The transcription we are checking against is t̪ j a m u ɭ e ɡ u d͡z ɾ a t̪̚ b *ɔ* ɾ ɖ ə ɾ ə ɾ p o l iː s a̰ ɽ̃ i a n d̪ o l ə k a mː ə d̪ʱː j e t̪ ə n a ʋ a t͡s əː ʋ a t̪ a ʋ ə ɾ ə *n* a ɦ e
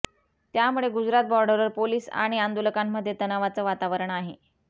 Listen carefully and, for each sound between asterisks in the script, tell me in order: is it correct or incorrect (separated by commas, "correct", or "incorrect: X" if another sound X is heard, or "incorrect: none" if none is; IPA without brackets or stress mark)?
correct, incorrect: ɳ